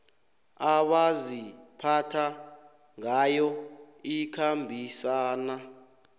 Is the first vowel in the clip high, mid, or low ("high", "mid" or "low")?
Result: low